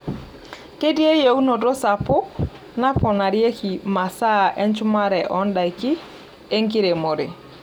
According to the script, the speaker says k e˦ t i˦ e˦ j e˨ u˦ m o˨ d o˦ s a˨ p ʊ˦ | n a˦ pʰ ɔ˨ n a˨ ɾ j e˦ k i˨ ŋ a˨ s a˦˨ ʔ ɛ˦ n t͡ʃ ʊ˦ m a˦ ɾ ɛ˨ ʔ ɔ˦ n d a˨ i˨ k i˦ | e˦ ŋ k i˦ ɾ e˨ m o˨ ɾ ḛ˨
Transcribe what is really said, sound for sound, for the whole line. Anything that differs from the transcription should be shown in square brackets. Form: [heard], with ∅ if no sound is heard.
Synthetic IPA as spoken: k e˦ [d] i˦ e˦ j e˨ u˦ [n] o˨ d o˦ s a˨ p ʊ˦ | n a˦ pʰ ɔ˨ n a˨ ɾ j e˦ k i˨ [m] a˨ s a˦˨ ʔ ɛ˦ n t͡ʃ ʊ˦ m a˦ ɾ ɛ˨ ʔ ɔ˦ n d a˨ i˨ k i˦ | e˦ ŋ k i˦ ɾ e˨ m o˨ ɾ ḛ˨